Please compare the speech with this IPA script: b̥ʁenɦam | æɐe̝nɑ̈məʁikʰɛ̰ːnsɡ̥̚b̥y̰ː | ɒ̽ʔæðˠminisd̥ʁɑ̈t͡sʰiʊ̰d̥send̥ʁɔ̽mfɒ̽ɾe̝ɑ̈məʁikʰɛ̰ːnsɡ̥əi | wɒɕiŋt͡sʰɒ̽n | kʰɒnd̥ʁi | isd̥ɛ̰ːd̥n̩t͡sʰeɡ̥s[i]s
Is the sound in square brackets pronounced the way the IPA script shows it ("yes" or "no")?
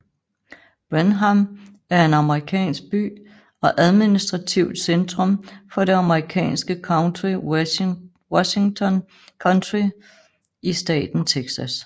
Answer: no